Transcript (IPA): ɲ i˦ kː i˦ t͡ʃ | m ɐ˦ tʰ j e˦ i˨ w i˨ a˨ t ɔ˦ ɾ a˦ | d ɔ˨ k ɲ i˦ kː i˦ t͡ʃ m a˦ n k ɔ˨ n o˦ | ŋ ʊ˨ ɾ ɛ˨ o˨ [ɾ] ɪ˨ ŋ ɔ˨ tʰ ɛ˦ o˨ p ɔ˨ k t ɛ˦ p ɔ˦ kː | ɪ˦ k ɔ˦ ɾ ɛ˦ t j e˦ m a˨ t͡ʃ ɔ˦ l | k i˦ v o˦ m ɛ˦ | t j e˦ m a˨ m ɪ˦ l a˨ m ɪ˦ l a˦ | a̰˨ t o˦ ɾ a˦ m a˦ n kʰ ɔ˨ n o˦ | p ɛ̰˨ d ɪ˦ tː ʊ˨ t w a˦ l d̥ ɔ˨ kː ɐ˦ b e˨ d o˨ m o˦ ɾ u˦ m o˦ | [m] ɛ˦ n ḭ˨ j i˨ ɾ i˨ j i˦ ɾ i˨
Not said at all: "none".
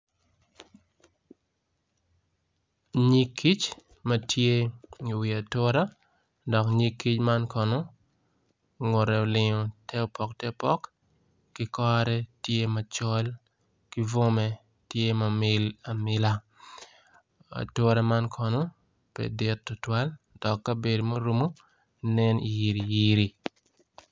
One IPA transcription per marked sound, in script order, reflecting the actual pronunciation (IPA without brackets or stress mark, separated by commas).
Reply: l, n